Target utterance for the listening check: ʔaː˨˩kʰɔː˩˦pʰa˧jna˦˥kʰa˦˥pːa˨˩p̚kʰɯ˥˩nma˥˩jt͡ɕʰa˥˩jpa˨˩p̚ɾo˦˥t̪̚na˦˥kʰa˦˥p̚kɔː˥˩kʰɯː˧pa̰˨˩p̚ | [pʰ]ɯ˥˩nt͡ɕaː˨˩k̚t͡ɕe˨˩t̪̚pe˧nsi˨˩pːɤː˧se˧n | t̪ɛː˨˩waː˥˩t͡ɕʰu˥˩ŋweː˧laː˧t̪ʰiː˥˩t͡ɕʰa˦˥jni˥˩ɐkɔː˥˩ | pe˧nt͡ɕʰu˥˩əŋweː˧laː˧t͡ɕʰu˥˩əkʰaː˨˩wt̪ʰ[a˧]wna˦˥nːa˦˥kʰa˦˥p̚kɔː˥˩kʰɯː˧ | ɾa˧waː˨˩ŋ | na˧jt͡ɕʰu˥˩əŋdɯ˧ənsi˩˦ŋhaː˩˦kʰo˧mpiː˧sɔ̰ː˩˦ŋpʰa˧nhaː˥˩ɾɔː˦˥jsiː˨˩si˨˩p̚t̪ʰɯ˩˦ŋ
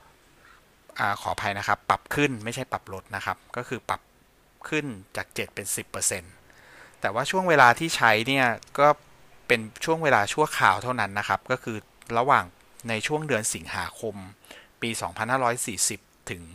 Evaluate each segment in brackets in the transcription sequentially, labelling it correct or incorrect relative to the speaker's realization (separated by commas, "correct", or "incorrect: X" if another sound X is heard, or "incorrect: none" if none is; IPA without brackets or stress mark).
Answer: incorrect: kʰ, incorrect: a˥˩